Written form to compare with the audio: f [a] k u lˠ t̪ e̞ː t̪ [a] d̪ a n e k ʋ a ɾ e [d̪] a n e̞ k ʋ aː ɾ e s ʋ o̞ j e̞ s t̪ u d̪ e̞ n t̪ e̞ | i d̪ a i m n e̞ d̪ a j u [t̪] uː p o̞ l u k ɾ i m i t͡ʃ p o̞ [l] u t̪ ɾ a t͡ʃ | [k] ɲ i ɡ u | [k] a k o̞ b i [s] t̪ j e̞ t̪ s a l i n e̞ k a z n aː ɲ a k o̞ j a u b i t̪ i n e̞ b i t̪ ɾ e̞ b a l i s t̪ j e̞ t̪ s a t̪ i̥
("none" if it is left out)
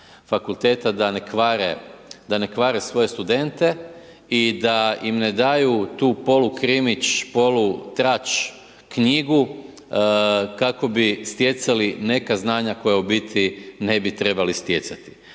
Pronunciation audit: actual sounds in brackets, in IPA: a, a, d̪, t̪, l, k, k, s

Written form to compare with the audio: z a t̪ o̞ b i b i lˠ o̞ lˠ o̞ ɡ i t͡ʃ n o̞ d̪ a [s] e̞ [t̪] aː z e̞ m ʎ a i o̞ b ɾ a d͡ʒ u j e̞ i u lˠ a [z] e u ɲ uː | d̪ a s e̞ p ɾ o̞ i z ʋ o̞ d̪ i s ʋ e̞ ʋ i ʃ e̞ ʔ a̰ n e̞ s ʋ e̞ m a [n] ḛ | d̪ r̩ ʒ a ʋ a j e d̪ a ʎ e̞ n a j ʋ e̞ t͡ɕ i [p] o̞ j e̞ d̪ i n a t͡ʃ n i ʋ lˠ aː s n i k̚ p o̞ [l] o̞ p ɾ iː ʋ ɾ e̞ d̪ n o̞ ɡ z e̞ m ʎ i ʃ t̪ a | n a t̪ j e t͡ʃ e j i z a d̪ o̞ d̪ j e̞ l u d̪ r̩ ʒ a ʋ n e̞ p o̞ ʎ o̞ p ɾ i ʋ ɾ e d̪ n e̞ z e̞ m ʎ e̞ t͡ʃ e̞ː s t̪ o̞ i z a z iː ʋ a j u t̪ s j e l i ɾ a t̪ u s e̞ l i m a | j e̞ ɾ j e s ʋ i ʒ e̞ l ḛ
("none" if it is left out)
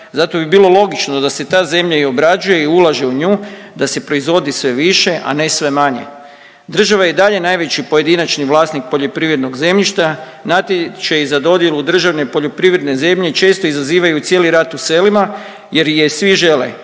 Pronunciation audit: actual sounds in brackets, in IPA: s, t̪, ʒ, ɲ, p, ʎ

